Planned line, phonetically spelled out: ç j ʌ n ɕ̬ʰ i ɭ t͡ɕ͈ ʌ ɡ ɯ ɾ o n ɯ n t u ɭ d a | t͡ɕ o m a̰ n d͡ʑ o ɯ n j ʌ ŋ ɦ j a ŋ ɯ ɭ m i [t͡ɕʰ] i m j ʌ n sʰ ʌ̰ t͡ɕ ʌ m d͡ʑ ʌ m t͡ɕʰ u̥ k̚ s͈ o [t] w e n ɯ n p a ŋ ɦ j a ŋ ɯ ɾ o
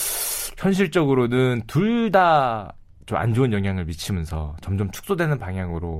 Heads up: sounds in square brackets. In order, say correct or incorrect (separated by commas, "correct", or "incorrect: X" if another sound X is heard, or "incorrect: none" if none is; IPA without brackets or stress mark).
correct, incorrect: d